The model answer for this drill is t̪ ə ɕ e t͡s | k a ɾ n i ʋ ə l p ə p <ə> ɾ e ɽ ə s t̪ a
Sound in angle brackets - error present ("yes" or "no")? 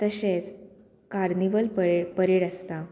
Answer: no